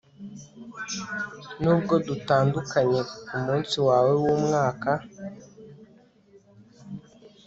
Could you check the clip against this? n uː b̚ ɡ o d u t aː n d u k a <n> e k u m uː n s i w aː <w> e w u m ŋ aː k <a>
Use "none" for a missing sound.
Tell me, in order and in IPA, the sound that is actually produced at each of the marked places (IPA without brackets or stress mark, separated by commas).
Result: ɲ, w, a